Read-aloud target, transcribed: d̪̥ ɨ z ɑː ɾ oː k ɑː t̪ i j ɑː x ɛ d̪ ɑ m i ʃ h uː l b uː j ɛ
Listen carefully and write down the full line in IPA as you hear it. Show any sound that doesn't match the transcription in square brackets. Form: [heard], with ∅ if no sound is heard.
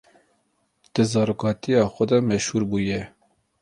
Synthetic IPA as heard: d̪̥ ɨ z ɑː ɾ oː k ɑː t̪ i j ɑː x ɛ d̪ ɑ m [ɛ] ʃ h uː [ɾ] b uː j ɛ